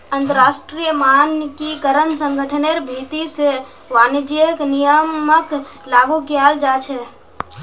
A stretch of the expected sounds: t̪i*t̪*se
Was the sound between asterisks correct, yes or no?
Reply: no